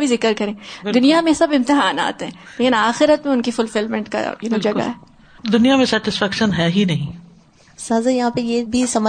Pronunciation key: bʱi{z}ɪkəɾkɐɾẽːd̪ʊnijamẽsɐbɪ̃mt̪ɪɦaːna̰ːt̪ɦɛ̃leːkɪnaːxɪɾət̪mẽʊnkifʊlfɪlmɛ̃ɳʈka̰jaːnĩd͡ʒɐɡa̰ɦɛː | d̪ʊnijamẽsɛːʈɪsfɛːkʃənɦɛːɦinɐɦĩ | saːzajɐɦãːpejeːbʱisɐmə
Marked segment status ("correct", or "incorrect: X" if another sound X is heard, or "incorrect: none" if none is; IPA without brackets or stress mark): correct